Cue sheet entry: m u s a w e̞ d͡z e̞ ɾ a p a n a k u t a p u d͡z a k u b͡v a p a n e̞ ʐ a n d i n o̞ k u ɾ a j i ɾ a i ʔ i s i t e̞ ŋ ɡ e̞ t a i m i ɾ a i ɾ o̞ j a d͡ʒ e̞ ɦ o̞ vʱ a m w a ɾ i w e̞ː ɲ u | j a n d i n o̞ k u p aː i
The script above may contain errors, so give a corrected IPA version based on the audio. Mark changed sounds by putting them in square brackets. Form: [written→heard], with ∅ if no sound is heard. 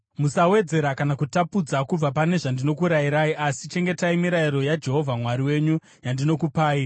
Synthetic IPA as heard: m u s a w e̞ d͡z e̞ ɾ a [p→k] a n a k u t a p u d͡z a k u b͡v a p a n e̞ ʐ a n d i n o̞ k u ɾ a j i ɾ a i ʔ [i→a] s i [t→t͡ʃ] e̞ ŋ ɡ e̞ t a i m i ɾ a i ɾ o̞ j a d͡ʒ e̞ ɦ o̞ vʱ a m w a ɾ i w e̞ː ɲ u | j a n d i n o̞ k u p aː i